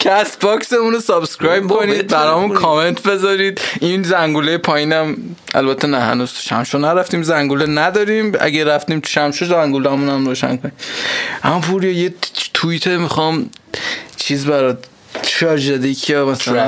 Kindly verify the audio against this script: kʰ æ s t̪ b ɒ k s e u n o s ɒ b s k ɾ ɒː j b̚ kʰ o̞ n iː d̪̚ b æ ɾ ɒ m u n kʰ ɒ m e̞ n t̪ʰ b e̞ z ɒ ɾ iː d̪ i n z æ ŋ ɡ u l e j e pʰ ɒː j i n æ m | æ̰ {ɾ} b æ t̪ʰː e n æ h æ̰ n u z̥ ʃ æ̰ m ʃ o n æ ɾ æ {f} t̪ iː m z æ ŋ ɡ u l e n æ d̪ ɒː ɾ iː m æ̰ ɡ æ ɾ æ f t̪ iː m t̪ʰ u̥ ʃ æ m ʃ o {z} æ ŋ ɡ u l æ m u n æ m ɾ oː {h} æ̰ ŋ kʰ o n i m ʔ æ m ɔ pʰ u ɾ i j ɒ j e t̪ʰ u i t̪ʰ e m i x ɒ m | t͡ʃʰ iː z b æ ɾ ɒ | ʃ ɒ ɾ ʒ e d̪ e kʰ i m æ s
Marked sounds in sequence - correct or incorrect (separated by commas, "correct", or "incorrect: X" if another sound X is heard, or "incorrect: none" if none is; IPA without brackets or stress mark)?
incorrect: l, correct, correct, incorrect: ʃ